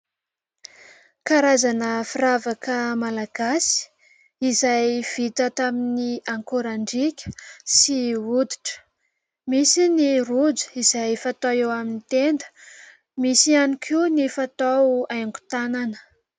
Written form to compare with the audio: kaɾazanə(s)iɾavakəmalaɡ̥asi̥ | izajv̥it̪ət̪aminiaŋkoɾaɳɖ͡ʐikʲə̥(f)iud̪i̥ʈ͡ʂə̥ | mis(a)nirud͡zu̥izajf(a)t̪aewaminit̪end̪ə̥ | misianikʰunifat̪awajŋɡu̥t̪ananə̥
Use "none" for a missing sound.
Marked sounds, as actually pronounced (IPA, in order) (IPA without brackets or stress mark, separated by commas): f, s, i, a